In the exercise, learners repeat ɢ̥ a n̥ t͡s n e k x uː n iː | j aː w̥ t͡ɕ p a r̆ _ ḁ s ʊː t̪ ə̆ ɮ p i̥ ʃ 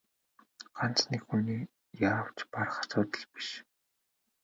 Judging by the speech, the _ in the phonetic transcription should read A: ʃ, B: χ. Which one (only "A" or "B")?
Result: B